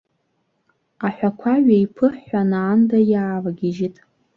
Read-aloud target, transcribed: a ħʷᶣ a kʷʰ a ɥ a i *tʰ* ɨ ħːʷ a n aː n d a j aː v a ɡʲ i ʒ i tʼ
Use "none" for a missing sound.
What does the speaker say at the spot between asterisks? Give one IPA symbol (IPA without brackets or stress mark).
pʰ